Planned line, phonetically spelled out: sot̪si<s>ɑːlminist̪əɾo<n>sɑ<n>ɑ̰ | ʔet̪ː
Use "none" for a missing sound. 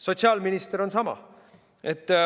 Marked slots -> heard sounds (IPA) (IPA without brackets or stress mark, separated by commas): none, n, m